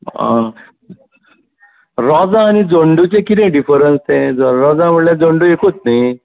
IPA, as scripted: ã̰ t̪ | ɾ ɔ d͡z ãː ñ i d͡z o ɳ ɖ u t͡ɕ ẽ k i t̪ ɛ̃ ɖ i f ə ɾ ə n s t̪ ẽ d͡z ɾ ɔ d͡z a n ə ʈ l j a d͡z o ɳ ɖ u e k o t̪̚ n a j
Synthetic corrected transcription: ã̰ | ɾ ɔ d͡z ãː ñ i d͡z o ɳ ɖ u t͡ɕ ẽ k i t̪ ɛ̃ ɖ i f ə ɾ ə n s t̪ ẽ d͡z ɾ ɔ d͡z a m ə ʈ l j a d͡z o ɳ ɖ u e k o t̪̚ n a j